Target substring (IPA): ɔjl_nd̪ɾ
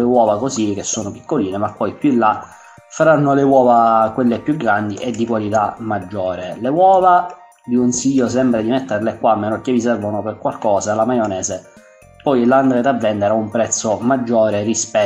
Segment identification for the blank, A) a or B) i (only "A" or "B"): A